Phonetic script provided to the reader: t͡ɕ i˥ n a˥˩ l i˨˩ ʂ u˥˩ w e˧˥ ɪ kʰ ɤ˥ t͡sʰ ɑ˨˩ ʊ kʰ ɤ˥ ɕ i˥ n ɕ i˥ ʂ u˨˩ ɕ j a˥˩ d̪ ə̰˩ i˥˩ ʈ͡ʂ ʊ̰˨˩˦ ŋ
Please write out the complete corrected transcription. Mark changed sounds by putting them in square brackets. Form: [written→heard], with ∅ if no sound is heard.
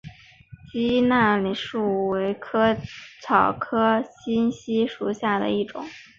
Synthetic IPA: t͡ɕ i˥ n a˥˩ l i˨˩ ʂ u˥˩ w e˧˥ ɪ kʰ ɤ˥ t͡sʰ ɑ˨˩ ʊ kʰ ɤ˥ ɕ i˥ n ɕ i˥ ʂ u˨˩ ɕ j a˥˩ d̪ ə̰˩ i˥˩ ʈ͡ʂ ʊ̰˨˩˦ ŋ